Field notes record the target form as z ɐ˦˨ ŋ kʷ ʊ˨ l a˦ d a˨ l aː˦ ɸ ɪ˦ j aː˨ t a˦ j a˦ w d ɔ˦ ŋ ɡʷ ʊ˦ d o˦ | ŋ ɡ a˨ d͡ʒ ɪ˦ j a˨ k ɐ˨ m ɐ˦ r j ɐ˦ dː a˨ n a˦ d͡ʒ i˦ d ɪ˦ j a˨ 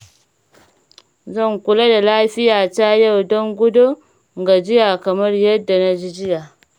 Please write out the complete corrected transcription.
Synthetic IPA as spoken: z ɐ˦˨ ŋ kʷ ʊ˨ l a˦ d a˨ l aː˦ ɸ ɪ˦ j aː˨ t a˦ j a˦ w d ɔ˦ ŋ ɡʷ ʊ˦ d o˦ | ŋ ɡ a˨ d͡ʒ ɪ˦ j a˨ k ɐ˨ m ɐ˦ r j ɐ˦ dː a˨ n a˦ d͡ʒ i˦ d͡ʒ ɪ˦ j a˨